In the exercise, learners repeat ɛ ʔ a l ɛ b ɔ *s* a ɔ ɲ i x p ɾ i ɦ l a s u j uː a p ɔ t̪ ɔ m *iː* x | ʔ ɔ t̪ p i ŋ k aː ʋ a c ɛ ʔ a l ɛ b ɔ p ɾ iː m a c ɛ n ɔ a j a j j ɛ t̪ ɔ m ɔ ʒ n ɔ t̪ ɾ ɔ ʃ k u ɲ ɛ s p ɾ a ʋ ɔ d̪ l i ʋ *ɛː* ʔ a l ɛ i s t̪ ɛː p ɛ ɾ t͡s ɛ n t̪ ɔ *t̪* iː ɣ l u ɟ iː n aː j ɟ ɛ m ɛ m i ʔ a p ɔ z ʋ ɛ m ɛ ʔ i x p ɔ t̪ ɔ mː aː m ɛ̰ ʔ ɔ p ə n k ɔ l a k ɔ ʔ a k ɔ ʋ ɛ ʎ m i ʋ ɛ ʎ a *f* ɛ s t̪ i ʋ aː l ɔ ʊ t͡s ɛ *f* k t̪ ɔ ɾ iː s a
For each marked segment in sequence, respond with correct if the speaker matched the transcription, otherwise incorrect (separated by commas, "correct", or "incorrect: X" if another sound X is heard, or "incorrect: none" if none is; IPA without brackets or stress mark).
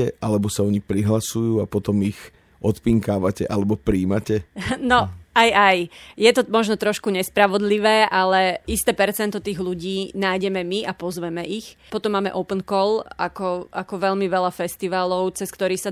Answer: correct, incorrect: i, correct, correct, correct, incorrect: s